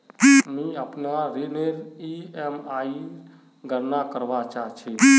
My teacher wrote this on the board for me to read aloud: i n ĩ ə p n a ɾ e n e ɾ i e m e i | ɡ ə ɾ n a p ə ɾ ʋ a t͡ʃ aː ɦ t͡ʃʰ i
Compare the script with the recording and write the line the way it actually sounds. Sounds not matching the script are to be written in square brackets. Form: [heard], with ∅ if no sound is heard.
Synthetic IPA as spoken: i [m] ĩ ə p n a ɾ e n e ɾ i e m [a] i | ɡ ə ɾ n a [k] ə ɾ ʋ a t͡ʃ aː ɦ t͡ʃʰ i